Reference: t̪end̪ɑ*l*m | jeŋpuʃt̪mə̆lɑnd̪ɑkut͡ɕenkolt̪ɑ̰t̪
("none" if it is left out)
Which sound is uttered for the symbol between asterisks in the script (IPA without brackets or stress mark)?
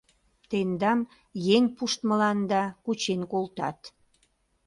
none